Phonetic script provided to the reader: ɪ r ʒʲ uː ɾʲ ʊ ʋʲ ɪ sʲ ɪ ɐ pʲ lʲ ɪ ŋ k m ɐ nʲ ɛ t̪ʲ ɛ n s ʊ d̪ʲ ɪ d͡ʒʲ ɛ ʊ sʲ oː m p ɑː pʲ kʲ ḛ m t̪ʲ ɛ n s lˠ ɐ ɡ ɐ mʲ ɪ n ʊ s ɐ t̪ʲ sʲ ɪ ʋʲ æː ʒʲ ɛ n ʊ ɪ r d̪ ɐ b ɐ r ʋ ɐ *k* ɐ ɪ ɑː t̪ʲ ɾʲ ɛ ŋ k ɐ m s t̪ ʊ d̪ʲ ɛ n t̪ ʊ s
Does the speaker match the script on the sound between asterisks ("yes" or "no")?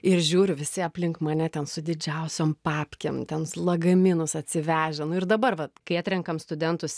yes